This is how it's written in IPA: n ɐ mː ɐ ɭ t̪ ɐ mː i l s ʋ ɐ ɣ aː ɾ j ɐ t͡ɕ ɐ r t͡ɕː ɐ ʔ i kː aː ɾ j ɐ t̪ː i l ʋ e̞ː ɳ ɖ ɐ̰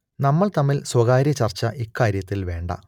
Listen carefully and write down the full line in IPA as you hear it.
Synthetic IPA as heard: n ɐ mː ɐ ɭ t̪ ɐ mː i l s w ɐ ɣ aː ɾ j ɐ t͡ɕ ɐ r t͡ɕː ɐ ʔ i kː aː ɾ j ɐ t̪ː i l ʋ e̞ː ɳ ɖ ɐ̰